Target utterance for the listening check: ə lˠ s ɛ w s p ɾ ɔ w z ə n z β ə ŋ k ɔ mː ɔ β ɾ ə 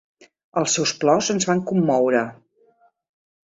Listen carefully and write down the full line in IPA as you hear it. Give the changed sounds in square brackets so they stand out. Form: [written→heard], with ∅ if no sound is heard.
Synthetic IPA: ə lˠ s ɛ w s p [ɾ→l] ɔ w z ə n z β [ə→a] ŋ k [ɔ→u] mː ɔ [β→w] ɾ ə